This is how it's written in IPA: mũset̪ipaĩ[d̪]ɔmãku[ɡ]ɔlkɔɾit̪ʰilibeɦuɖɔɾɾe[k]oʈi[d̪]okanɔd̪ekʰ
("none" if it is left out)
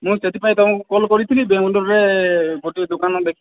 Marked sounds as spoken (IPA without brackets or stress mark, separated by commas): t̪, k, ɡ, d̪